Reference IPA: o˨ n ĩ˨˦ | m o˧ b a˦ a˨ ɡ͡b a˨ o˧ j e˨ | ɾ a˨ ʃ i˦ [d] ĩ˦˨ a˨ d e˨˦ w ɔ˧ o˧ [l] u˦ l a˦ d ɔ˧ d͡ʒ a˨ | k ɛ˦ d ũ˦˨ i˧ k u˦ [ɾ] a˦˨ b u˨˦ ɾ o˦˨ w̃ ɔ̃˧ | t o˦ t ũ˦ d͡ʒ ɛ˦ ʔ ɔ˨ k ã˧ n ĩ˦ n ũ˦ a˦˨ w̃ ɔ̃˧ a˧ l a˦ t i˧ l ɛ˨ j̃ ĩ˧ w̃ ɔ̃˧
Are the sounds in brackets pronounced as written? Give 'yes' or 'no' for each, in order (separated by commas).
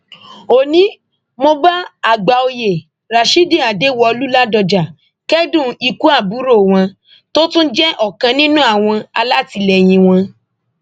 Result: yes, yes, no